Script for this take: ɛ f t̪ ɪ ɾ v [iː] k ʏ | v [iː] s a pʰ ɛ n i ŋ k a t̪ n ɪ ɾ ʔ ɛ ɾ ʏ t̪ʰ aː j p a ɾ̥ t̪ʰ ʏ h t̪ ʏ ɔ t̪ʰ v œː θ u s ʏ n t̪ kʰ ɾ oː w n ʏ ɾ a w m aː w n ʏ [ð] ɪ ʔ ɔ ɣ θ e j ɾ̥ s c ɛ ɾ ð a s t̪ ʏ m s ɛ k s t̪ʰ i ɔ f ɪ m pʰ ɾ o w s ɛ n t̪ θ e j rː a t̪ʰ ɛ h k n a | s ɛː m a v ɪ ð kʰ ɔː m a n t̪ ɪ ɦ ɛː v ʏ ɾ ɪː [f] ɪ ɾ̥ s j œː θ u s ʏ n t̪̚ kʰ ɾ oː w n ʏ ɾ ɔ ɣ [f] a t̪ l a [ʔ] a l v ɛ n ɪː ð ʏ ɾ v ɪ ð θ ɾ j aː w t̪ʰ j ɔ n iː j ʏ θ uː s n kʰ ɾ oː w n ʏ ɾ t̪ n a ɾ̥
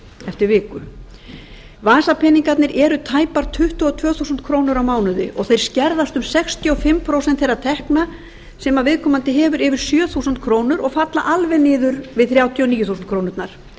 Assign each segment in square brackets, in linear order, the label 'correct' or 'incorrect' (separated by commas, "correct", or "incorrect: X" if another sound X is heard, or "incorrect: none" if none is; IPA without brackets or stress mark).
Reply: incorrect: ɪː, incorrect: aː, correct, incorrect: v, correct, correct